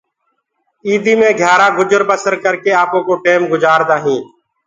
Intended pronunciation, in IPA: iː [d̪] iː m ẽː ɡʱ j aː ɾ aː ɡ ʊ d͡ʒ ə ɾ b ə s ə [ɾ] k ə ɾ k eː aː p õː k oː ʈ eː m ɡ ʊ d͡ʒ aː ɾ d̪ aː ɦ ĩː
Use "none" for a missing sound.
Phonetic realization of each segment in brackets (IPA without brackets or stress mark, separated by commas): d̪, ɾ